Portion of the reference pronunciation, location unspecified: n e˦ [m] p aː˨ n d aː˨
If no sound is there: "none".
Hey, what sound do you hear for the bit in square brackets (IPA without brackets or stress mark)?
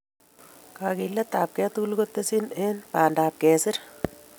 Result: n